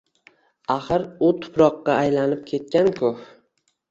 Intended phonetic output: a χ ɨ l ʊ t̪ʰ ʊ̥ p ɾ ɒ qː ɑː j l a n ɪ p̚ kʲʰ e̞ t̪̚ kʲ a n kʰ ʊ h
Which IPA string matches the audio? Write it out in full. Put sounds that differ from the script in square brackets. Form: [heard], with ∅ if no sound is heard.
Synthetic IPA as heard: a χ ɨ [ɾ] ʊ t̪ʰ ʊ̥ p ɾ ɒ qː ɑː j l a n ɪ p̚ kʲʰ e̞ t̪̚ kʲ a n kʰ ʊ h